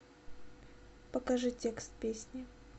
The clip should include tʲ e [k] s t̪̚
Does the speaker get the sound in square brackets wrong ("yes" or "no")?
no